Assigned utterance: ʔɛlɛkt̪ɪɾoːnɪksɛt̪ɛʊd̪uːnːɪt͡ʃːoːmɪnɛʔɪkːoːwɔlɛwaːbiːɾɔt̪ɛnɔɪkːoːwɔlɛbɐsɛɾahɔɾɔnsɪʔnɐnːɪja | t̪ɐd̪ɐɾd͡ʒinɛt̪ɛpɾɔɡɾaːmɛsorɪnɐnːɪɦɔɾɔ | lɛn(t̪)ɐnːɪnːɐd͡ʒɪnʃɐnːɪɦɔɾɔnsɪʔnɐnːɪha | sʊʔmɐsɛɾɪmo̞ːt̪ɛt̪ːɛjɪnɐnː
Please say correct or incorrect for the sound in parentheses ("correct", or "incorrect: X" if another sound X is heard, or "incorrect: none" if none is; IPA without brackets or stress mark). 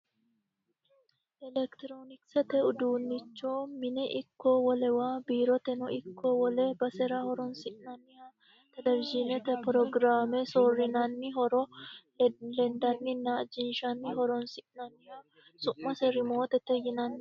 incorrect: d̪